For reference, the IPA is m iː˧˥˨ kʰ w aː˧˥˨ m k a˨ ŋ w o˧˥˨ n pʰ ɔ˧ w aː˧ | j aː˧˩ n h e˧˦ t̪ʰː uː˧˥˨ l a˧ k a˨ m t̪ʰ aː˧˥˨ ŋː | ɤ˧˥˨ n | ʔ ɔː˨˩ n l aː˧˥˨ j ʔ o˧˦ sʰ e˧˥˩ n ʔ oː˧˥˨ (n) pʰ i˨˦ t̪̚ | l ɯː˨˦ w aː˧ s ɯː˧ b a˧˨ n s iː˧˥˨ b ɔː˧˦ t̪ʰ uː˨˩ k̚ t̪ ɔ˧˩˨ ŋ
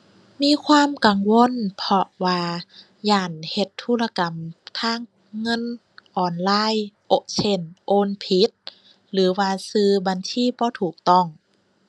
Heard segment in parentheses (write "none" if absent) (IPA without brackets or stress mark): n